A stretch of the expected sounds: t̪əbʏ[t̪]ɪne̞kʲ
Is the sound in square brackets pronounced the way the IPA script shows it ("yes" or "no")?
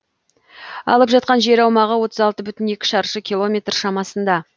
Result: yes